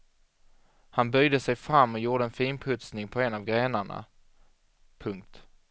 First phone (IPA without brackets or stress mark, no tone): h